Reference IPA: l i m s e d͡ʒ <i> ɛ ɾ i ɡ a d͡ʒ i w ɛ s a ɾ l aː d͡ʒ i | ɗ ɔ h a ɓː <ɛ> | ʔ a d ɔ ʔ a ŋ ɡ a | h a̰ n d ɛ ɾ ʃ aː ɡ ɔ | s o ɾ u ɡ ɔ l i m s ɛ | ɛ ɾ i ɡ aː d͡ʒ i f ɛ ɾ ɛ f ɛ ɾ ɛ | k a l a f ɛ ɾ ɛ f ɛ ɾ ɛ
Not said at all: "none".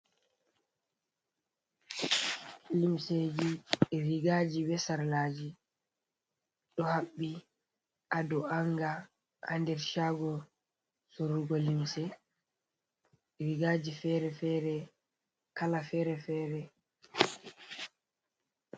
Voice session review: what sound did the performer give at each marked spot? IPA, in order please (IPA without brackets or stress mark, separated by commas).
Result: i, i